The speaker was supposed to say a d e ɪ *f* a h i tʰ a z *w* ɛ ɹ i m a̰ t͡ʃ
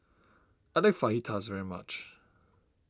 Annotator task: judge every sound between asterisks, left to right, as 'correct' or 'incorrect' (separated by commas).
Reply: correct, incorrect